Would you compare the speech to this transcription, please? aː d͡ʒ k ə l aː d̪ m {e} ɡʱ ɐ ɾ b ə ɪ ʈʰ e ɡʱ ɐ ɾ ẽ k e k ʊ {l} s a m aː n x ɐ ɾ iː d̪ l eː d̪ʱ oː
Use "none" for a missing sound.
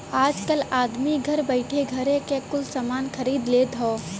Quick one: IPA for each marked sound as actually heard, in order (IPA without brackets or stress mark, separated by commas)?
i, l